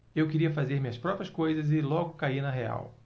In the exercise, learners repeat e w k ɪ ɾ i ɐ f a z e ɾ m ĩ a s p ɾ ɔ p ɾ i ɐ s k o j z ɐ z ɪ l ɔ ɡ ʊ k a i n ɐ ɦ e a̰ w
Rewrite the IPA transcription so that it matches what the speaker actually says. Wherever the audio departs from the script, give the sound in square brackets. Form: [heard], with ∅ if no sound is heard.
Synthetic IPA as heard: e w k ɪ ɾ i ɐ f a z e ɾ m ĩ [ɐ] s p ɾ ɔ p ɾ i ɐ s k o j z ɐ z ɪ l ɔ ɡ ʊ k a i n ɐ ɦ e a̰ w